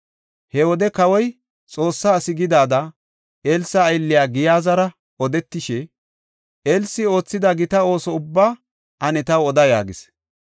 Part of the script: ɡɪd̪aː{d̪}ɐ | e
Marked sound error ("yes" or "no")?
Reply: no